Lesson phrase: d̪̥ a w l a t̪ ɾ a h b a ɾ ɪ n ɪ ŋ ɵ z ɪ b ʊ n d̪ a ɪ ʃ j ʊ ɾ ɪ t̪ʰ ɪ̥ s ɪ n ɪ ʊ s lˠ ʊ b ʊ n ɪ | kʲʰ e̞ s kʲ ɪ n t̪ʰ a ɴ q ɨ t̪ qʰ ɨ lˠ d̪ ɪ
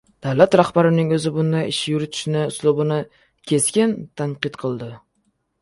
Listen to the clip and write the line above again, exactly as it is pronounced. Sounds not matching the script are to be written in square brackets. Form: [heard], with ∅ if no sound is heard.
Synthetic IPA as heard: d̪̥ a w l a t̪ ɾ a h b a ɾ ɪ n ɪ ŋ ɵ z ɪ b ʊ n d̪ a ɪ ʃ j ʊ ɾ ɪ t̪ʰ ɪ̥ [ʃ] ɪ n ɪ ʊ s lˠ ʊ b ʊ n ɪ | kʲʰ e̞ s kʲ ɪ n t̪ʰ a ɴ q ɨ t̪ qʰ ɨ lˠ d̪ ɪ